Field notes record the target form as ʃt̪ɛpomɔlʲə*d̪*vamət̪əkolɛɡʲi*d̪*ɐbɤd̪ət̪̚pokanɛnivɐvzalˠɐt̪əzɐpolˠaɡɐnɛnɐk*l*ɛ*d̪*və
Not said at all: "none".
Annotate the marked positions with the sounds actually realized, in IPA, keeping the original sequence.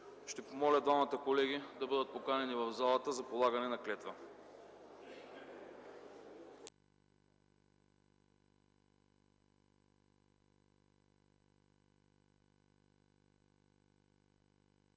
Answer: d̪, d̪, l, t̪

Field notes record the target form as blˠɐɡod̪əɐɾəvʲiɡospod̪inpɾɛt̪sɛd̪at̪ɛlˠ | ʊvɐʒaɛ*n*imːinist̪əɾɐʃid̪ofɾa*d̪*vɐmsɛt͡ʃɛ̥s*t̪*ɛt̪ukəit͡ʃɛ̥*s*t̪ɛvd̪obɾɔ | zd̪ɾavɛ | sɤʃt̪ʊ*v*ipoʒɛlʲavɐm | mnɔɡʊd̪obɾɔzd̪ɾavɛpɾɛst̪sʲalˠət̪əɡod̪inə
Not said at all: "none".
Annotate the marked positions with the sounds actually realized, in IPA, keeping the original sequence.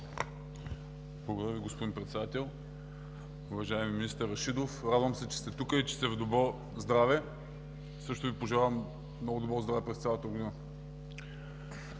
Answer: m, d̪, t̪, s, v

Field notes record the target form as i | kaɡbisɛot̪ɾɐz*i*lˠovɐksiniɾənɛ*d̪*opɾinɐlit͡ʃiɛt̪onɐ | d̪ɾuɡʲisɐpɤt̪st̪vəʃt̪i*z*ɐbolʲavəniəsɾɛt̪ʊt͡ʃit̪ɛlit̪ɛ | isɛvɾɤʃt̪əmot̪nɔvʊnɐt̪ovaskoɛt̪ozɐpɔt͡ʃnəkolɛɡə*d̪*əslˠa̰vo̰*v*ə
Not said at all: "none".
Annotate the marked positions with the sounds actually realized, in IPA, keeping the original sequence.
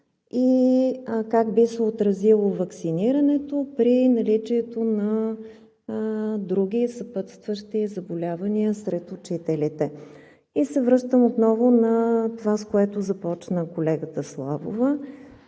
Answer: i, t̪, z, t̪, v

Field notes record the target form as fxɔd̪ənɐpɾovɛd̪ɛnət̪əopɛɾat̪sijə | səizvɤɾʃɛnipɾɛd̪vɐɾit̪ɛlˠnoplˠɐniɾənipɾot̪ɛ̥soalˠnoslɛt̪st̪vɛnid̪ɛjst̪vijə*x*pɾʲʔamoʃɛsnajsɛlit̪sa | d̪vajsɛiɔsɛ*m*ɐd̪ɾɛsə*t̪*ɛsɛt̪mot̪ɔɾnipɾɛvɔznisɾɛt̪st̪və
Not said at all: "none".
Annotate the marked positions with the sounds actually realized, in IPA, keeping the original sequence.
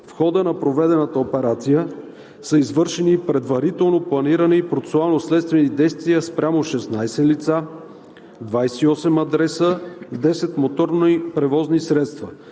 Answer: s, m, d̪

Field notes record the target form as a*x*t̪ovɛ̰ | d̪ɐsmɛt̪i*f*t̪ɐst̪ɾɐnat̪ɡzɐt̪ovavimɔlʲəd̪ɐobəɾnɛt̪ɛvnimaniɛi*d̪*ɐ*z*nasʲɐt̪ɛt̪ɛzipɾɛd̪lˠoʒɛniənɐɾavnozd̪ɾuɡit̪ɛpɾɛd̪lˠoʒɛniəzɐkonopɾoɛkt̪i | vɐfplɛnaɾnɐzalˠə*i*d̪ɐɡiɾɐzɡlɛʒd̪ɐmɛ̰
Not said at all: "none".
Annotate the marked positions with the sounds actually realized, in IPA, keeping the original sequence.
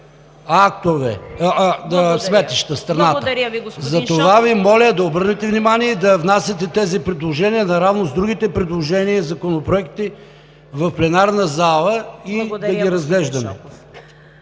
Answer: k, ʃ, d̪, v, i

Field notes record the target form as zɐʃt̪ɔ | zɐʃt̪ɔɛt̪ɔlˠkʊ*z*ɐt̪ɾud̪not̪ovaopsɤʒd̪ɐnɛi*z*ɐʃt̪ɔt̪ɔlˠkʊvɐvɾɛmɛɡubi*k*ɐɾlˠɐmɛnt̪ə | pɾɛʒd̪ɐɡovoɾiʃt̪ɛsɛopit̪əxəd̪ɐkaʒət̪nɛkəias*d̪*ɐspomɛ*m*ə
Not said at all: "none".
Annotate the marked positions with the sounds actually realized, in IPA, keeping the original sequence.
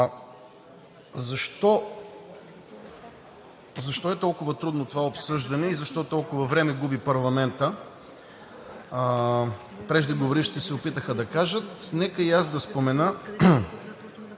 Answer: v, z, p, d̪, n

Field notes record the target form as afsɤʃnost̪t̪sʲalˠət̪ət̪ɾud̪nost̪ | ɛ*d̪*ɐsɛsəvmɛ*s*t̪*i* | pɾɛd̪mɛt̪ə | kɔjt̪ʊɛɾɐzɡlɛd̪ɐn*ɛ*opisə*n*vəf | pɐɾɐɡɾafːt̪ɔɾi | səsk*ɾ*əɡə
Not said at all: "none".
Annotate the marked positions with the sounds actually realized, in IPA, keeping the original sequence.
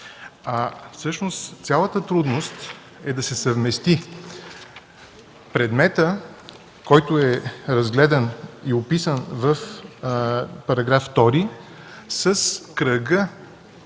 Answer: d̪, s, i, i, n, ɾ

